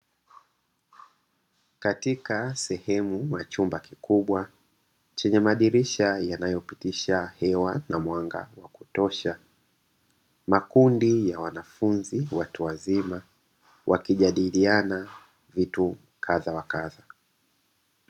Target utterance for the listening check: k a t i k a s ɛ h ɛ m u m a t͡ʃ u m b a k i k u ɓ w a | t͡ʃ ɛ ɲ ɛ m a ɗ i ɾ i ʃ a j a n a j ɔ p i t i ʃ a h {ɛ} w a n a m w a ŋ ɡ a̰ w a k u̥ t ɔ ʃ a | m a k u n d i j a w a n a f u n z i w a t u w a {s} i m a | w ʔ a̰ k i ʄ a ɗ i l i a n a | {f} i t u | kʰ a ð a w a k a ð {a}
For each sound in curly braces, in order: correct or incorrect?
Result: correct, incorrect: z, incorrect: v, correct

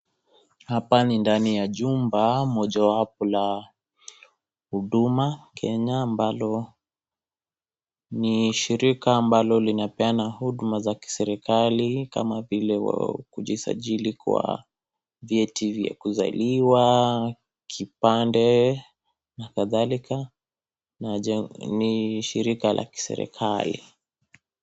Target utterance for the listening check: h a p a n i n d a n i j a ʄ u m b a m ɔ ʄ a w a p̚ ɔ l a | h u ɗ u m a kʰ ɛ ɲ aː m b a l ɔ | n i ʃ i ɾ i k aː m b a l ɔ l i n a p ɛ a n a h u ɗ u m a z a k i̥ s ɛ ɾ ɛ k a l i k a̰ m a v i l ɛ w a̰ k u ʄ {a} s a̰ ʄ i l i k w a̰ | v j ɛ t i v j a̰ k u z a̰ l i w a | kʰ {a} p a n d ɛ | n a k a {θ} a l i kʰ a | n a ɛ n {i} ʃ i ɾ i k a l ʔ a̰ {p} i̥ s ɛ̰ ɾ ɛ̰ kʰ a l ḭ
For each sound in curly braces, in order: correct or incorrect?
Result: incorrect: i, incorrect: i, incorrect: ð, correct, incorrect: k

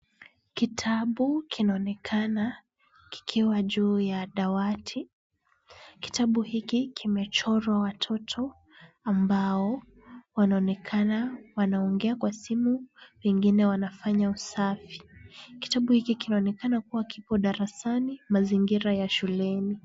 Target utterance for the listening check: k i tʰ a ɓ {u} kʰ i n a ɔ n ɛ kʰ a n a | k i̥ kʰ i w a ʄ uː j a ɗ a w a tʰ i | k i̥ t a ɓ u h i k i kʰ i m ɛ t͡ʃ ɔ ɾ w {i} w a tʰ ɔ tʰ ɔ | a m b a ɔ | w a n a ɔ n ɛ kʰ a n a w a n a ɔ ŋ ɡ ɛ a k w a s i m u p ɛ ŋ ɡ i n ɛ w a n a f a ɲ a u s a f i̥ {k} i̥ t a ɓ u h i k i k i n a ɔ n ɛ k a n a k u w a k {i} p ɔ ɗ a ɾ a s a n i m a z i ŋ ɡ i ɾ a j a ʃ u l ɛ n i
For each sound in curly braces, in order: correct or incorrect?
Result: correct, incorrect: a, correct, correct

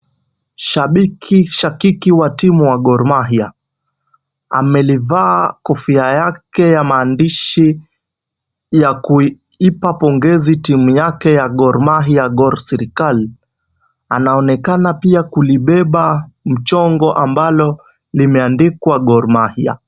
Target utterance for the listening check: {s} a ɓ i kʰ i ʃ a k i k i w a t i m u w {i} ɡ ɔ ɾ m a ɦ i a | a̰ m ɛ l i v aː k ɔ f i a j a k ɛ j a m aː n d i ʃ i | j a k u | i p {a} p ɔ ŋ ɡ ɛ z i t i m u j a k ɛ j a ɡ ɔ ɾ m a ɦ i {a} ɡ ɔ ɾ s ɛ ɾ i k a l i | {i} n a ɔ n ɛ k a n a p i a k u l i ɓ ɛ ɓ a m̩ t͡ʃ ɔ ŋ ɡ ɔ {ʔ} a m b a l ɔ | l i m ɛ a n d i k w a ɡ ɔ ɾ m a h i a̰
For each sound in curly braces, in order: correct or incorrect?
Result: incorrect: ʃ, incorrect: a, correct, correct, incorrect: a, correct

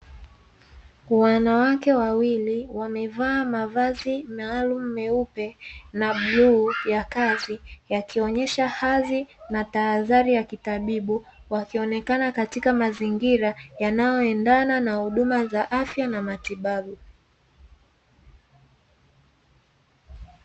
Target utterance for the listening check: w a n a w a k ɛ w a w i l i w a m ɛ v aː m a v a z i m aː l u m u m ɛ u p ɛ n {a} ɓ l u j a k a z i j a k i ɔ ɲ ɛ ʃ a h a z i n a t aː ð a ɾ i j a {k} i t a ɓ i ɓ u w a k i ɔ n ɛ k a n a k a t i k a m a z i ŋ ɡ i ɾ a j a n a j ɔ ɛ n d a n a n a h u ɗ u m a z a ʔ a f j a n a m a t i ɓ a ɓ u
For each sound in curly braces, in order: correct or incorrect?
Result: correct, correct

